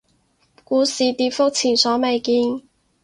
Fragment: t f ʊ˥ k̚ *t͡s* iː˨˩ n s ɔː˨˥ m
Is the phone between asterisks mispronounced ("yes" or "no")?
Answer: yes